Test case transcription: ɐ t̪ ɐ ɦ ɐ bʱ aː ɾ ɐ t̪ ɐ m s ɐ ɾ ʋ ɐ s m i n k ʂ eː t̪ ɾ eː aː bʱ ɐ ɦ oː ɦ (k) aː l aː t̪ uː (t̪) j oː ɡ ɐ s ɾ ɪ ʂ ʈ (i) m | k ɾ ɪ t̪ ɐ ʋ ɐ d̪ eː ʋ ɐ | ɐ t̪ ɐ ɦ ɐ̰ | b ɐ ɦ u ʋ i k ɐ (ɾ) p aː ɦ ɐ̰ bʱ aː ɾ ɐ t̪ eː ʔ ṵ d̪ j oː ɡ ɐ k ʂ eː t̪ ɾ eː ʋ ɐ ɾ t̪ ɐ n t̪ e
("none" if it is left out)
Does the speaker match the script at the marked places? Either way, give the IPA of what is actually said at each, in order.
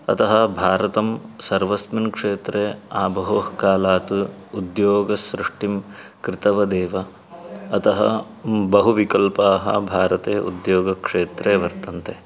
k, d̪, i, l

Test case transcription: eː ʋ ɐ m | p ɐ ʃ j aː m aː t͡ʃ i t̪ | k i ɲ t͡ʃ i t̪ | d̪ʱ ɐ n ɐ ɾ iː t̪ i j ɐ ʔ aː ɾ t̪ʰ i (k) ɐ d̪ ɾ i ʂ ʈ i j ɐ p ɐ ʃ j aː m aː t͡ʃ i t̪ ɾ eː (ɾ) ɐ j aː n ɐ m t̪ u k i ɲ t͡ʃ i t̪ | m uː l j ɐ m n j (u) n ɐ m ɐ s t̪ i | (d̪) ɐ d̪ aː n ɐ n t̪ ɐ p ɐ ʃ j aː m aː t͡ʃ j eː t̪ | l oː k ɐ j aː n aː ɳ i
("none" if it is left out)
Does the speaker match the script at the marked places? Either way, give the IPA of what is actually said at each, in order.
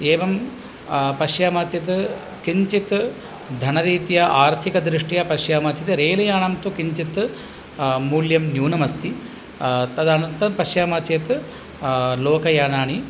k, l, uː, t̪

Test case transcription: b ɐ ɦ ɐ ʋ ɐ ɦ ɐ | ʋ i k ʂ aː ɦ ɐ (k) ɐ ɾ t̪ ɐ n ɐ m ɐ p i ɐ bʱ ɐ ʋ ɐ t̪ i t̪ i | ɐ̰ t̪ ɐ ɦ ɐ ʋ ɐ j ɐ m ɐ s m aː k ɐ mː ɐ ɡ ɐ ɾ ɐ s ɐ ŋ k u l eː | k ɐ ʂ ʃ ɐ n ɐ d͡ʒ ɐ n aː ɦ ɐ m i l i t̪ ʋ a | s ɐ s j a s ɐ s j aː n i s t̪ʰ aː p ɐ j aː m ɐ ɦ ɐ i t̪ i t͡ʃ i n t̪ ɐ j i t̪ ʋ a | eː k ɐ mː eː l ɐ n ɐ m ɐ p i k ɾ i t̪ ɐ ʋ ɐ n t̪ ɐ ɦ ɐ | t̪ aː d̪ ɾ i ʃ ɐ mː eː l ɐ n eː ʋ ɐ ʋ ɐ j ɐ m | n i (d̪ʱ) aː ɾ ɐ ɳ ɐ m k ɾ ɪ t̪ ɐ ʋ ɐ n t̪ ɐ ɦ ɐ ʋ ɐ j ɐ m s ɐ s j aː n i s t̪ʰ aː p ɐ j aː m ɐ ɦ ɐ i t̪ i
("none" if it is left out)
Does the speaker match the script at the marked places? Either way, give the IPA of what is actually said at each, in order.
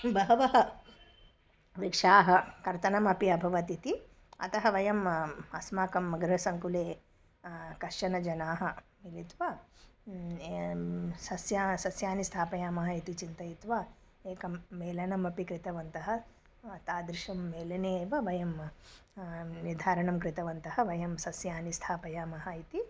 k, d̪ʱ

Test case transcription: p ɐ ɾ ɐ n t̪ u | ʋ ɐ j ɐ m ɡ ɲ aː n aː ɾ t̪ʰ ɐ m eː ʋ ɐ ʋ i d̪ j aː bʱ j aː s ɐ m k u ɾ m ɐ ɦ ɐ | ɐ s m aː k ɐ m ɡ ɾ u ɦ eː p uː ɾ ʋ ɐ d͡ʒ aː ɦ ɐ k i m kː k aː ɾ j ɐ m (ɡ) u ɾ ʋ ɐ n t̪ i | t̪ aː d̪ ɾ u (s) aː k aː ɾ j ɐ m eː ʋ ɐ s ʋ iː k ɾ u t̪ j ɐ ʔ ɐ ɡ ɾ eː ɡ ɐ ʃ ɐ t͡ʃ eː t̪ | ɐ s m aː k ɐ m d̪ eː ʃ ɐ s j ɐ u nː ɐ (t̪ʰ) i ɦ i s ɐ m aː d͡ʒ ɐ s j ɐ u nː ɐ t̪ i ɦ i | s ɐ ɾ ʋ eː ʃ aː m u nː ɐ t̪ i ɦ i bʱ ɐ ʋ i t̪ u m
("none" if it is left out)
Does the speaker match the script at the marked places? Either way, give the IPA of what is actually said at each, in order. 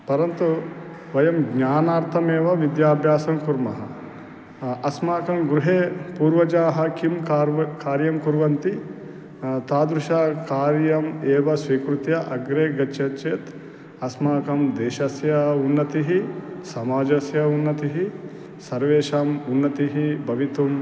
k, ʃ, t̪

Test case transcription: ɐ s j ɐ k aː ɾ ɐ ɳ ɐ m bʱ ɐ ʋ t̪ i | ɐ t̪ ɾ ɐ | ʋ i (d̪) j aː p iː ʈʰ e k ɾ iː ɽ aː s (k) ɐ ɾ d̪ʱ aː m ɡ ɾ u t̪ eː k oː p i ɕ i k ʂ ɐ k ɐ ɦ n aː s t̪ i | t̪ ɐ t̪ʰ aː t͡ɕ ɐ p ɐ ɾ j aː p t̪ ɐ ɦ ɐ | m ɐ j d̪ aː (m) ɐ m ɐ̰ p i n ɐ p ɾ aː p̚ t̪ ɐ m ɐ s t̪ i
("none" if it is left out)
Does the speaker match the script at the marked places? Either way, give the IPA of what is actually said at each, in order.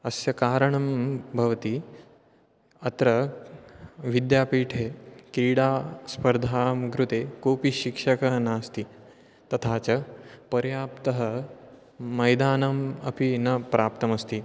d̪, p, n

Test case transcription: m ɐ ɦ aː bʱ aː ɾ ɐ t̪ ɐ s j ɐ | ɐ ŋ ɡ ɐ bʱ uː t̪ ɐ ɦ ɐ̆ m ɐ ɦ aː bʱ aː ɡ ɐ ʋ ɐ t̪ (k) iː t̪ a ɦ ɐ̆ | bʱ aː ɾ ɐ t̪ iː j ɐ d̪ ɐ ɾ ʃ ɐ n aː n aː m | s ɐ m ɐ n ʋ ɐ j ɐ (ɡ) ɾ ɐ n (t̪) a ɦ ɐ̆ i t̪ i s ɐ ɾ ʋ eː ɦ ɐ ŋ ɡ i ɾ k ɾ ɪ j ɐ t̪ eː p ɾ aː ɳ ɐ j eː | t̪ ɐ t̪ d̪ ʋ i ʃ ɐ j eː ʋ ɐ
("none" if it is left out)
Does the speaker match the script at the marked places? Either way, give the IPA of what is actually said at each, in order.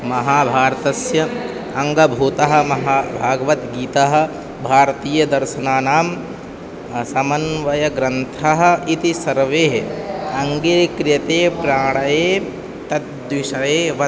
ɡ, ɡ, t̪ʰ

